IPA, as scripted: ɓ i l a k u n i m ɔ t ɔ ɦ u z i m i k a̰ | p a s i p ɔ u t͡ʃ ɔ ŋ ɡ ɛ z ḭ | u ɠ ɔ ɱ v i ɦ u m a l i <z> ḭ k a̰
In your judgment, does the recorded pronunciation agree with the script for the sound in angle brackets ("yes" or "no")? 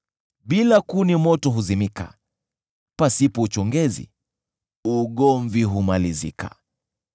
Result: yes